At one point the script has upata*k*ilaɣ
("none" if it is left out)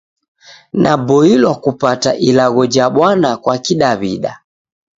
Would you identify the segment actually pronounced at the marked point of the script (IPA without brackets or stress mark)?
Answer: ʔ